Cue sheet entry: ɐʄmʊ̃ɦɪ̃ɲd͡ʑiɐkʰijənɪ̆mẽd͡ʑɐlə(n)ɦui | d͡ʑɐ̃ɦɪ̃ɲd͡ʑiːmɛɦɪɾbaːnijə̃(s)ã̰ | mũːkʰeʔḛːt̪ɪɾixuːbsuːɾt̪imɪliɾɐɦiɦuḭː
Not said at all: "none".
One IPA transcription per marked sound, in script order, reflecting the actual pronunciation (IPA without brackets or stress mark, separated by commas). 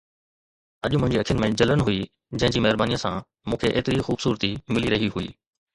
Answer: n, s